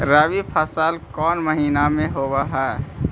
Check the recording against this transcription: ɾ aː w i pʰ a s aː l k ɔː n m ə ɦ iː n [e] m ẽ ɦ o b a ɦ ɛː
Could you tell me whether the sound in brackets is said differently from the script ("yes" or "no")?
yes